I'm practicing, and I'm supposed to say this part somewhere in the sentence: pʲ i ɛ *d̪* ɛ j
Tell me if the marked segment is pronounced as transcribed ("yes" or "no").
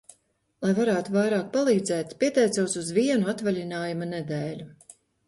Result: no